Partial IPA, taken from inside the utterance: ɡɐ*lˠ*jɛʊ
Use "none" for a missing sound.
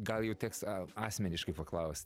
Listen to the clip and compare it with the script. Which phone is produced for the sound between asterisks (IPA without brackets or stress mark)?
lˠ